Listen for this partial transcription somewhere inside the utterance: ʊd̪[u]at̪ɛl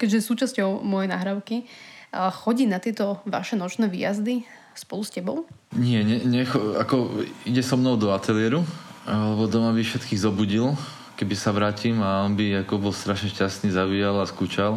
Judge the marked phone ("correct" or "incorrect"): incorrect